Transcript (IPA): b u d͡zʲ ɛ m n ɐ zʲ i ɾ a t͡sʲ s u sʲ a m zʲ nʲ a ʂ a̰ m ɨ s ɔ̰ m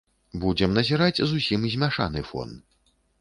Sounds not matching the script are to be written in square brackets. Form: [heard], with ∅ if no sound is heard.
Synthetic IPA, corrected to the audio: b u d͡zʲ ɛ m n ɐ zʲ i ɾ a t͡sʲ [z] u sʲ [i] m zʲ [mʲ] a ʂ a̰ [n] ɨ [f] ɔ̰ [n]